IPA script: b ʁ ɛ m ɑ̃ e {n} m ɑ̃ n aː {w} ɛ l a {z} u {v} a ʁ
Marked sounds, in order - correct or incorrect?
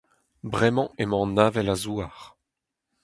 incorrect, incorrect, correct, incorrect

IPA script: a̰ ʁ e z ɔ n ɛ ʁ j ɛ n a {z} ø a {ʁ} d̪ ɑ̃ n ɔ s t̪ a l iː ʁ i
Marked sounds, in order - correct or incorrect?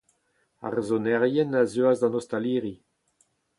correct, incorrect

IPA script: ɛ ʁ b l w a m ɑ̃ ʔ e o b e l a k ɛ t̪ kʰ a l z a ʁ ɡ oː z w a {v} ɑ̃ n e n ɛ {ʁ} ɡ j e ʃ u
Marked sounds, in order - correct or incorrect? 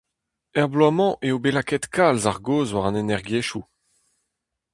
incorrect, correct

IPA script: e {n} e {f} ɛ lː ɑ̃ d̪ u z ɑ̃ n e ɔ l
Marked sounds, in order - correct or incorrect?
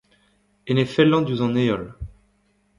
correct, correct

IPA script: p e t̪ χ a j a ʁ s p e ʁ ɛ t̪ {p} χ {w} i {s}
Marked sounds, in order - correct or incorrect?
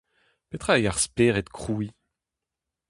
incorrect, incorrect, incorrect

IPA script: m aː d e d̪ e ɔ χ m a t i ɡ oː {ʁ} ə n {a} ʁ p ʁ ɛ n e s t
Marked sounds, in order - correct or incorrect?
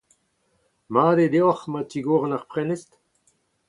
correct, correct

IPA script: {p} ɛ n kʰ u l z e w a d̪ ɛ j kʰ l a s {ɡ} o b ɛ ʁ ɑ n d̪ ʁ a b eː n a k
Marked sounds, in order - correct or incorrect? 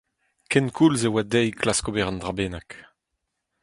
incorrect, incorrect

